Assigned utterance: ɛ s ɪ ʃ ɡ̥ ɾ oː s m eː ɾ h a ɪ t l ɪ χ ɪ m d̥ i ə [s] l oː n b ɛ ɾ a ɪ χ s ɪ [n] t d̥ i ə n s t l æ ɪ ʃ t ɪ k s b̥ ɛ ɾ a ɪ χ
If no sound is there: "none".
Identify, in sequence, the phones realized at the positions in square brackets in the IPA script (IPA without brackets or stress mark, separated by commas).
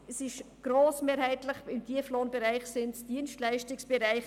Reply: f, n